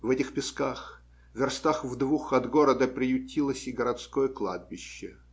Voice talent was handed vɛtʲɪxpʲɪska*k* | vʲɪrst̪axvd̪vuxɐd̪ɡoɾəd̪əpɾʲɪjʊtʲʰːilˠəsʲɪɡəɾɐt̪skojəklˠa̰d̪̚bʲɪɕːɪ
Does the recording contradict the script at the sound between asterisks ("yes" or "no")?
yes